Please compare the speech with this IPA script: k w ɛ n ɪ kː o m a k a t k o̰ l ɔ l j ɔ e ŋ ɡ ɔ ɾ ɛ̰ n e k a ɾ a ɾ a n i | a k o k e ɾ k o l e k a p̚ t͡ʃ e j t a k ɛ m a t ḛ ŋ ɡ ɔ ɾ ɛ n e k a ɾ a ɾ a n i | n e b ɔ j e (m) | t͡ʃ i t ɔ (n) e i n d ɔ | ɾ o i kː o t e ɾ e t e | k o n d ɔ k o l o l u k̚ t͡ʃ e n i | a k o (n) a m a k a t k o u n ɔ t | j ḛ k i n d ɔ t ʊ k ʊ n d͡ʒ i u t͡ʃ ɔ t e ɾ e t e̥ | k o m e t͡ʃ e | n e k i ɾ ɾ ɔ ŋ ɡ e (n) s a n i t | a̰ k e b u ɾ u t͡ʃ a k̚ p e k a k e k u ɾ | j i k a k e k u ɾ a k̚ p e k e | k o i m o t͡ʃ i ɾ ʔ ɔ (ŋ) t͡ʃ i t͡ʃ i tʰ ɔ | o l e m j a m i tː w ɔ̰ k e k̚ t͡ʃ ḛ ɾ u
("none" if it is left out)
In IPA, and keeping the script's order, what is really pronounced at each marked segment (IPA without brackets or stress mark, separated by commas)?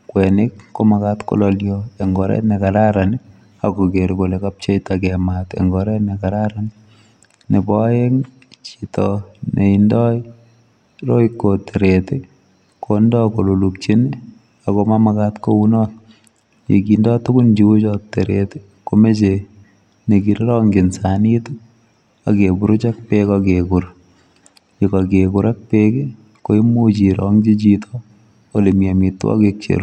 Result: ŋ, n, m, n, ŋ